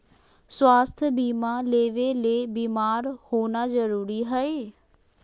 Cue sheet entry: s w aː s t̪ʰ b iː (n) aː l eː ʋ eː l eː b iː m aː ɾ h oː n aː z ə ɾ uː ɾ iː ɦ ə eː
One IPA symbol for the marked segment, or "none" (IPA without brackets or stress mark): m